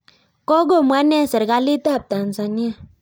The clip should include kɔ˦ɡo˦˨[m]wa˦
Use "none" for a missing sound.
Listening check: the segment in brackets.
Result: m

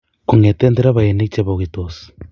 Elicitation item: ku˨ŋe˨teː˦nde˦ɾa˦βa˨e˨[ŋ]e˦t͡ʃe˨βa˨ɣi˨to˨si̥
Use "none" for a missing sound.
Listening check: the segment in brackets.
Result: n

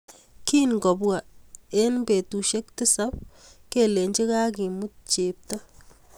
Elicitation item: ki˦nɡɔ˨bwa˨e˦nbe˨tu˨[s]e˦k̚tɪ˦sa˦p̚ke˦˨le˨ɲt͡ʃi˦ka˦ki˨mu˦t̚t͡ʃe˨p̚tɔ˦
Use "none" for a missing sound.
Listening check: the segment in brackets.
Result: ʃ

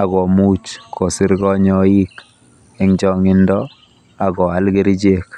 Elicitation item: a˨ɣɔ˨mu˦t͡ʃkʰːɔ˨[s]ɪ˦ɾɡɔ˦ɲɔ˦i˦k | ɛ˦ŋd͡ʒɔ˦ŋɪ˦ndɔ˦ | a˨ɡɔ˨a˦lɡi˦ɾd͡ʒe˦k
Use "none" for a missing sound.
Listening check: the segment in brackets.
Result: s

